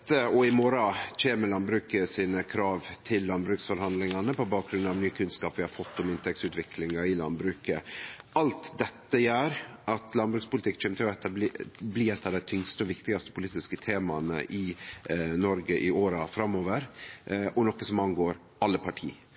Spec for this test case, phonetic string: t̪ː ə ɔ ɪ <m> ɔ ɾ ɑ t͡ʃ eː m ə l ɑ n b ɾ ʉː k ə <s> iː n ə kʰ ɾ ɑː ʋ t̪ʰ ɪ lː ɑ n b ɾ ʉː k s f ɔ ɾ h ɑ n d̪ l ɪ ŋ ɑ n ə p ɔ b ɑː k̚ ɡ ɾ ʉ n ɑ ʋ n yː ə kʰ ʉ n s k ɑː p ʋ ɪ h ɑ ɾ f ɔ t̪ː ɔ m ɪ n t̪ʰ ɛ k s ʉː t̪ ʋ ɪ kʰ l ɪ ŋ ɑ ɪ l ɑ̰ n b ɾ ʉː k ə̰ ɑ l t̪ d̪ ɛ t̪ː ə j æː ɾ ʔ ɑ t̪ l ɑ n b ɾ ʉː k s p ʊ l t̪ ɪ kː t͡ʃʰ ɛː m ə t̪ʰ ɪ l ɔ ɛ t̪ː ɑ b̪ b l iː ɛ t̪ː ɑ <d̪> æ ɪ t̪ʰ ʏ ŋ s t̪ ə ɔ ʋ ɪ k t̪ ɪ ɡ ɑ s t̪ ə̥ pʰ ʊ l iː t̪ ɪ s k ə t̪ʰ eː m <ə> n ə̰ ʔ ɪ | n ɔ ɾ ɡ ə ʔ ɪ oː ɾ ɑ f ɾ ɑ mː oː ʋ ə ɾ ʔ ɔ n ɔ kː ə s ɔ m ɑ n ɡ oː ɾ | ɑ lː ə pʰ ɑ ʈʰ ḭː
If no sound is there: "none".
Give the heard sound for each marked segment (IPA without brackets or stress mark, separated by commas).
m, s, d̪, ɑ